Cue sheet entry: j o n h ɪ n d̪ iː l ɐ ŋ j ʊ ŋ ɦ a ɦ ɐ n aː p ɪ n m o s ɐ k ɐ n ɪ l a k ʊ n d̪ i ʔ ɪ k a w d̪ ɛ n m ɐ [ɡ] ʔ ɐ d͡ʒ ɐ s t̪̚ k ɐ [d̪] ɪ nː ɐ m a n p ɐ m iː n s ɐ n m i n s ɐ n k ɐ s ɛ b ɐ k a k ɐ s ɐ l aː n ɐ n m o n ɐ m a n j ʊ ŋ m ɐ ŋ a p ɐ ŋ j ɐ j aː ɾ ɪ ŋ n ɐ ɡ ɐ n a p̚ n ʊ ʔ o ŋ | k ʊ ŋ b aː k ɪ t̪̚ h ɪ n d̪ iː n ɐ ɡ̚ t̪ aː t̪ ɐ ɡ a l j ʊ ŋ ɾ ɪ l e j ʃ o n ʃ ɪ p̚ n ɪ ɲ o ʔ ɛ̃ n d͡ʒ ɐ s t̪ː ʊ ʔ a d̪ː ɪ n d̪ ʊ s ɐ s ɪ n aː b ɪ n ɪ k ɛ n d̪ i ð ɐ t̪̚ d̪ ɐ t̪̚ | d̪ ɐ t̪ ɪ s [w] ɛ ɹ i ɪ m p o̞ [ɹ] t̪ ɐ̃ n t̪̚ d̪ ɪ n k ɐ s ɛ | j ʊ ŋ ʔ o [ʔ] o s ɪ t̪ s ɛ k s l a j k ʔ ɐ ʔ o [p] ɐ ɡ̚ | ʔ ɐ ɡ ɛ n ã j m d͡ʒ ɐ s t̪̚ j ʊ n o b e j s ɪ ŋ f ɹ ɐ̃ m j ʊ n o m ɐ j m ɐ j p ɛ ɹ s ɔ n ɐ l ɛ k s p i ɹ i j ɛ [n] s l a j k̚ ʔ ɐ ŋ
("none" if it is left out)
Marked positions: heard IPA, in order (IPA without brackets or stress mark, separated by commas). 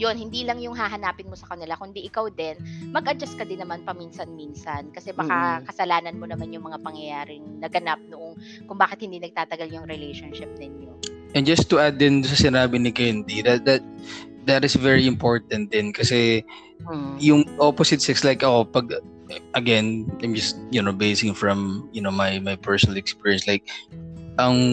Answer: ɡ, d̪, v, ɹ, p, p, n